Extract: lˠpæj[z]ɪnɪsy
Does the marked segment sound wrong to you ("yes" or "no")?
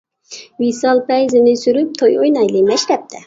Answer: no